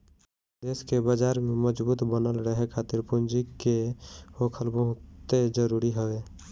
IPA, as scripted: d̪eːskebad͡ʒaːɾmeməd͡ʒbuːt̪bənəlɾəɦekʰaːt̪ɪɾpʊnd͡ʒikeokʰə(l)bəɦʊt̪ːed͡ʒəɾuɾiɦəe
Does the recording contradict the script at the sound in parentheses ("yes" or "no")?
no